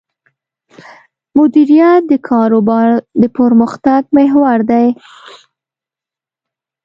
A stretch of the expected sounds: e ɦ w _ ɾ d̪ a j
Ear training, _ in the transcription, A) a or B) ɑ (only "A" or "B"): A